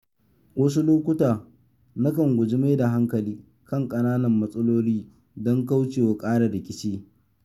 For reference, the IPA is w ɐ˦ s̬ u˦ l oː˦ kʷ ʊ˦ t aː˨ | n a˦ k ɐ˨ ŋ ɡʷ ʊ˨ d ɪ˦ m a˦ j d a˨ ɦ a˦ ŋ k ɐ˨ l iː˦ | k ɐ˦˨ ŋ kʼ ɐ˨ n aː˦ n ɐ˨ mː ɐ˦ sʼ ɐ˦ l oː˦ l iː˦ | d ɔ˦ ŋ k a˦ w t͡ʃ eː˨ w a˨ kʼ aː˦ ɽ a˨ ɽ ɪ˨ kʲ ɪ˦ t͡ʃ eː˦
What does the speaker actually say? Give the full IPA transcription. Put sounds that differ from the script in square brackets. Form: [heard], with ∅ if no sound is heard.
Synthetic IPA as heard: w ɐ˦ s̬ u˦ l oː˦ kʷ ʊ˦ t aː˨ | n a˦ k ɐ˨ ŋ ɡʷ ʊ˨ [d͡ʒ] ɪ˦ m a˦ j d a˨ ɦ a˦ ŋ k ɐ˨ l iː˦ | k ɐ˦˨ ŋ kʼ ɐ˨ n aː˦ n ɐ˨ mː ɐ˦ sʼ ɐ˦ l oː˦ l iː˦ | d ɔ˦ ŋ k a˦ w t͡ʃ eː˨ w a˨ kʼ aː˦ ɽ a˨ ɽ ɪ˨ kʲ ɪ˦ t͡ʃ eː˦